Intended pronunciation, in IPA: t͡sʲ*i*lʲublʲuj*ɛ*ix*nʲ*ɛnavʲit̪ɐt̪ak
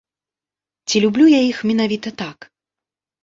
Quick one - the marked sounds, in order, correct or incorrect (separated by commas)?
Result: correct, incorrect, incorrect